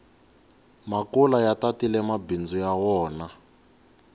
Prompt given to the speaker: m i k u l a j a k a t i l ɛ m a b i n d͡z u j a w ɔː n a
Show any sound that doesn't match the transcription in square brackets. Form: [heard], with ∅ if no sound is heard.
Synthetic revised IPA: m [a] k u l a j a [t] a t i l ɛ m a b i n d͡z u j a w ɔː n a